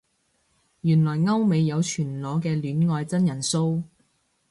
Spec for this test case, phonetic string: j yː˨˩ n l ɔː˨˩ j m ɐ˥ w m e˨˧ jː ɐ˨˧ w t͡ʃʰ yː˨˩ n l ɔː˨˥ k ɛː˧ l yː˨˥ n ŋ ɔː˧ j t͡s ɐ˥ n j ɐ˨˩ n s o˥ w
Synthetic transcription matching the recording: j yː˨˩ n l ɔː˨˩ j ŋ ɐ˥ w m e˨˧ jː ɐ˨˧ w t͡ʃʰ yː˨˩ n l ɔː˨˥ k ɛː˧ l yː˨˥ n ŋ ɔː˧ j t͡s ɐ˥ n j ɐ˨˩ n s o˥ w